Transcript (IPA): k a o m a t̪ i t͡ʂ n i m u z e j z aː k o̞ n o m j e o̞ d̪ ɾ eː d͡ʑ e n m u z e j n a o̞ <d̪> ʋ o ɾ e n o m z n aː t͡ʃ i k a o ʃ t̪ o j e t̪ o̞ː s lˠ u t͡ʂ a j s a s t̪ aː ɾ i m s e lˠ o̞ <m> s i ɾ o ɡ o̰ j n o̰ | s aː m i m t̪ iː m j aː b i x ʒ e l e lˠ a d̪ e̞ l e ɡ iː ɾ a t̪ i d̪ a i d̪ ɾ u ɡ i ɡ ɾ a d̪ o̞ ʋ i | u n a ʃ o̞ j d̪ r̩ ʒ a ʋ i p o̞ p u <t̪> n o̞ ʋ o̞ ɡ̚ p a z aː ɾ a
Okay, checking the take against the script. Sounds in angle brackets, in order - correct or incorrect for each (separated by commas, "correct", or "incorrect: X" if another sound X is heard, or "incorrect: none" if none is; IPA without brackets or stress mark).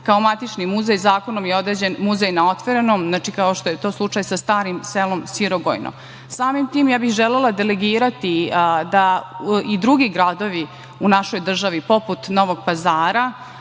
incorrect: t̪, correct, correct